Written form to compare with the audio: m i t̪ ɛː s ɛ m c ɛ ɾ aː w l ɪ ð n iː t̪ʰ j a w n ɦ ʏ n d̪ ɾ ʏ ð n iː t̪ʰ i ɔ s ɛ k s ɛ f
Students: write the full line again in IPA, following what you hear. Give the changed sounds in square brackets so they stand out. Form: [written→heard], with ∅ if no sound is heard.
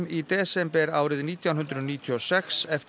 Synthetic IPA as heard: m i t̪ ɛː s ɛ m [c→p] ɛ ɾ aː w [l→ɾ] ɪ ð n iː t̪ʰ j a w n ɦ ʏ n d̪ ɾ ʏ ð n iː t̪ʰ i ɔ s ɛ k s ɛ f